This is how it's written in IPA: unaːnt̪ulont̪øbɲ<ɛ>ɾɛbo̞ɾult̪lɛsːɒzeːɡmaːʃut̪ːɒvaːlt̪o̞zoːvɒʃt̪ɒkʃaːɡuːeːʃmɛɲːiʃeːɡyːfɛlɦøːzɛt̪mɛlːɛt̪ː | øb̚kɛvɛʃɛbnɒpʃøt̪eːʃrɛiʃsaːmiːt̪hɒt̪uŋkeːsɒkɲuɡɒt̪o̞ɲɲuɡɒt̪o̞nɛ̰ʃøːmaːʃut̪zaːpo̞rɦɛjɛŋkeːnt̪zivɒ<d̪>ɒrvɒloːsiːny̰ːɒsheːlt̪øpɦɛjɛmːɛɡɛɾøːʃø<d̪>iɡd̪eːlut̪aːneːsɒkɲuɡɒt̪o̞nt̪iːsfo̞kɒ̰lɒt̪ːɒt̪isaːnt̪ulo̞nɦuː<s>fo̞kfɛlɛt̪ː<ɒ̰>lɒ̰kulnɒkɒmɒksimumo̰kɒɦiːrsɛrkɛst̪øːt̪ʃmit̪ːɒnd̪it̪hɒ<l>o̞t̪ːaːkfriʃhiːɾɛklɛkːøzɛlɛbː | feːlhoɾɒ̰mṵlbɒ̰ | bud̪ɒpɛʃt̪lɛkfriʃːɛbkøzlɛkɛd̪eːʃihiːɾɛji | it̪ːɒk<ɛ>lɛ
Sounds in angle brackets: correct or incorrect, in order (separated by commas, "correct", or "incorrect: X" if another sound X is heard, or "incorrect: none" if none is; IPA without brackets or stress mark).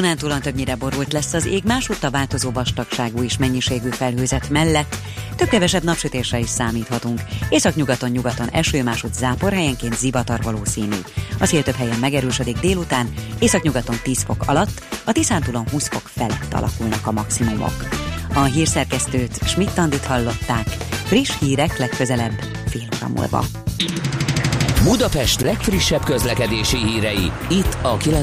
incorrect: i, incorrect: t̪, correct, correct, correct, incorrect: lː, incorrect: i